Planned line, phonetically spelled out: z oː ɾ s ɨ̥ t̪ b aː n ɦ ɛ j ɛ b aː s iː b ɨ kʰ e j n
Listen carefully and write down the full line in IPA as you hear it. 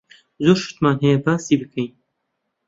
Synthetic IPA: z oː ɾ ʃ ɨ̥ t̪ m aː n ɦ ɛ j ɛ b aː s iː b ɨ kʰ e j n

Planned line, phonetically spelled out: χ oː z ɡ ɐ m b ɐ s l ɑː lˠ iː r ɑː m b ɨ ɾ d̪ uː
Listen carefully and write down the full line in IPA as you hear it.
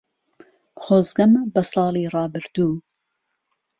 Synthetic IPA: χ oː z ɡ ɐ m b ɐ s l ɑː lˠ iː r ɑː b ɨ ɾ d̪ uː

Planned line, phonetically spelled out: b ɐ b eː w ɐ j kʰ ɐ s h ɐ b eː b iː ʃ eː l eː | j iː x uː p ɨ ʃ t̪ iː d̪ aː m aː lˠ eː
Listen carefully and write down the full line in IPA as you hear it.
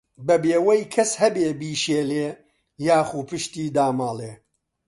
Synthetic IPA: b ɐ b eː w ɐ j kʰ ɐ s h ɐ b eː b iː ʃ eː l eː | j aː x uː p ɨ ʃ t̪ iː d̪ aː m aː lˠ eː

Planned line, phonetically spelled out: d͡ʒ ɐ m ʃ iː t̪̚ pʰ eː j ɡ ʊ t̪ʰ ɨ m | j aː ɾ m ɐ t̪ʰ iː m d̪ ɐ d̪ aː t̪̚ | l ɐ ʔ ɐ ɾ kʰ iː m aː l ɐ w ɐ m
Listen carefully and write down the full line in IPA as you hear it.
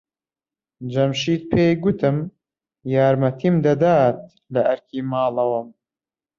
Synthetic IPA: d͡ʒ ɐ m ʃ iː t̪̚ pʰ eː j ɡ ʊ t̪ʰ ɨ m | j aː ɾ m ɐ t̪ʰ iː m d̪ ɐ d̪ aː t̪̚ | l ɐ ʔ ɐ ɾ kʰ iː m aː l ɐ w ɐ m

